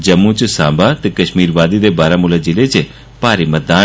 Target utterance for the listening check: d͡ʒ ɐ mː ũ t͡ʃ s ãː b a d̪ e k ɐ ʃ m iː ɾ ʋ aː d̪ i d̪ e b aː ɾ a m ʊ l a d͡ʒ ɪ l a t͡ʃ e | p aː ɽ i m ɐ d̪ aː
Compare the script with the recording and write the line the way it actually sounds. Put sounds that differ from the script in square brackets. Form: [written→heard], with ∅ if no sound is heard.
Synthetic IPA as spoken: d͡ʒ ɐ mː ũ t͡ʃ s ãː b a [d̪→t̪] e k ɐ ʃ m iː ɾ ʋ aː d̪ i d̪ e b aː ɾ a m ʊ l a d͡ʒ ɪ l [a→e] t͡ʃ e | p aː [ɽ→ɾ] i m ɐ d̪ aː

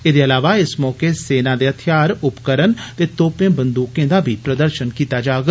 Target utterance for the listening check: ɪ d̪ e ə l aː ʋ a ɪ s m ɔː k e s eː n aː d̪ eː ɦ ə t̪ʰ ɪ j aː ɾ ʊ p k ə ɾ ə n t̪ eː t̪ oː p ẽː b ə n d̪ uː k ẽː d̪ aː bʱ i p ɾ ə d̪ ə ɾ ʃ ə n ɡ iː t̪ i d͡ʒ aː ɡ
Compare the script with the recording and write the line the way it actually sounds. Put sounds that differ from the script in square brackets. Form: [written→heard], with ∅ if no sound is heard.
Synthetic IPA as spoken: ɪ d̪ e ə l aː ʋ a ɪ s m ɔː k e s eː n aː d̪ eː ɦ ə t̪ʰ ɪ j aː ɾ ʊ p k ə ɾ ə n t̪ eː t̪ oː p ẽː b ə n d̪ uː k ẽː d̪ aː bʱ i p ɾ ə d̪ ə ɾ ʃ ə n [ɡ→k] iː t̪ [i→a] d͡ʒ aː ɡ

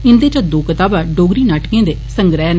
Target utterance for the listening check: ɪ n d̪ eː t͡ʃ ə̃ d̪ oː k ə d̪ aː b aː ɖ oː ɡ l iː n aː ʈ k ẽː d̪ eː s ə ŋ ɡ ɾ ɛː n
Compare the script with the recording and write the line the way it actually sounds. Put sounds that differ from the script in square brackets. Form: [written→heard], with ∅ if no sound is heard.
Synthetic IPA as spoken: ɪ n d̪ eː t͡ʃ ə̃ d̪ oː k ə [d̪→t̪] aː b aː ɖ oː ɡ [l→ɾ] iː n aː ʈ k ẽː d̪ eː s ə ŋ ɡ ɾ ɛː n

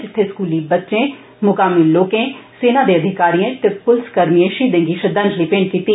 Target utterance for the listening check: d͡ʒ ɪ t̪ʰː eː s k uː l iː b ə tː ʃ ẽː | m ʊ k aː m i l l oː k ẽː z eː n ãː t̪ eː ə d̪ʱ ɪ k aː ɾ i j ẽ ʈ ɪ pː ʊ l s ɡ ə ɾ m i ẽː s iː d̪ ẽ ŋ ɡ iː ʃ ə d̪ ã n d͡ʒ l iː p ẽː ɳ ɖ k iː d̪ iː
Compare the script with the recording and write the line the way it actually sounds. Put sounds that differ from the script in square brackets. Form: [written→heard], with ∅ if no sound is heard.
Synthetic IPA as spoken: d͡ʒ ɪ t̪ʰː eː s k uː l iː b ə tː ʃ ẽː | m ʊ k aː m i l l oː k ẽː [z→s] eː n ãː [t̪→d̪] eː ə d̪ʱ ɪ k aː ɾ i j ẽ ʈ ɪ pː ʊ l s [ɡ→k] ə ɾ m i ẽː [s→ʃ] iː d̪ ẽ ŋ ɡ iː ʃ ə d̪ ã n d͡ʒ l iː p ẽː ɳ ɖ k iː [d̪→t̪] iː

